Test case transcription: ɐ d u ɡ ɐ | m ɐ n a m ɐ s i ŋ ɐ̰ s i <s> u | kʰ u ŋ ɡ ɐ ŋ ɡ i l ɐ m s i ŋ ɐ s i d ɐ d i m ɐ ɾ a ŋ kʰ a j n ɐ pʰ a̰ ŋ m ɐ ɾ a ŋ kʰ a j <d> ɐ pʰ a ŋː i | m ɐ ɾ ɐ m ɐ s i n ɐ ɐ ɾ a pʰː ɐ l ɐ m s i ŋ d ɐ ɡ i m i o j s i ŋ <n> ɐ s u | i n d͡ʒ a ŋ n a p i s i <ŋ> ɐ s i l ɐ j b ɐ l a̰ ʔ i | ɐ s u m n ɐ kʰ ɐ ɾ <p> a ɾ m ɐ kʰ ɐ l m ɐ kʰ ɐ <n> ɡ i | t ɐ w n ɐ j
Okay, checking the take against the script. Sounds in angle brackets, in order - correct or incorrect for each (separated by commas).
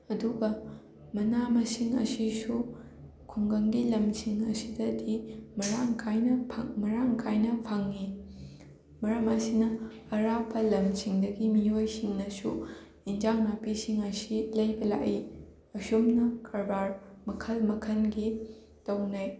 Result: correct, incorrect, correct, correct, incorrect, correct